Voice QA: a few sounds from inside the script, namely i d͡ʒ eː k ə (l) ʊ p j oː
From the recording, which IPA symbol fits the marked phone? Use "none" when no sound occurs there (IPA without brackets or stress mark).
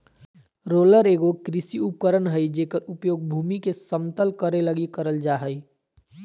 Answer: ɾ